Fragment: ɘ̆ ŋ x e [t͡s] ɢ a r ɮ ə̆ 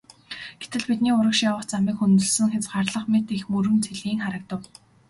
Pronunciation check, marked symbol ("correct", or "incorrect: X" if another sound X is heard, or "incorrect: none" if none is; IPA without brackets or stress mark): correct